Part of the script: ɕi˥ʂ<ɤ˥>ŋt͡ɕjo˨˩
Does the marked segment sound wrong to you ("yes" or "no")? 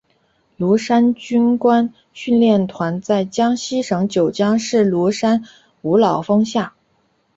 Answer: yes